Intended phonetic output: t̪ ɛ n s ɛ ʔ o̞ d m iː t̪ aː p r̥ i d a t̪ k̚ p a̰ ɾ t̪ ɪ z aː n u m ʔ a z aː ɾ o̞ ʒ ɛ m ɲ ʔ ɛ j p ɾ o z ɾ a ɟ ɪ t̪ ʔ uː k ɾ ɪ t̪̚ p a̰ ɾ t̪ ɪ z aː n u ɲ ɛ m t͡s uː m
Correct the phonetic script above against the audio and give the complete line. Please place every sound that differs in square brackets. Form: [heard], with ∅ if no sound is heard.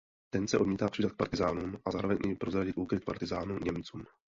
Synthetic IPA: t̪ ɛ n s ɛ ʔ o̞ d m iː t̪ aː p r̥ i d a t̪ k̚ p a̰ ɾ t̪ ɪ z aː n u m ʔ a z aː ɾ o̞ [v] ɛ [ɲ] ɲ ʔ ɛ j p ɾ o z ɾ a ɟ ɪ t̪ ʔ uː k ɾ ɪ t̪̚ p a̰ ɾ t̪ ɪ z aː n u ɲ ɛ m t͡s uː m